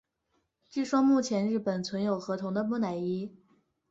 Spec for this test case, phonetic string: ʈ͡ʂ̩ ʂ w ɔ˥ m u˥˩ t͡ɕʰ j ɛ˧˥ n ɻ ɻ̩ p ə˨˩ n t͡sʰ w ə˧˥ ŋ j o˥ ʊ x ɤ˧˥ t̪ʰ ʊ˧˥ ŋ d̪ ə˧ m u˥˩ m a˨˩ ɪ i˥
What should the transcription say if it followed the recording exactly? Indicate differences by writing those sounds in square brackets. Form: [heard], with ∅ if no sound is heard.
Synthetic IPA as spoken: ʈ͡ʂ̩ ʂ w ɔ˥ m u˥˩ t͡ɕʰ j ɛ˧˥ n ɻ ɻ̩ p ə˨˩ n t͡sʰ w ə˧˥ [n] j [o˨˩] ʊ x ɤ˧˥ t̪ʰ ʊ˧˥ ŋ d̪ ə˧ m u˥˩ [n] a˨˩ ɪ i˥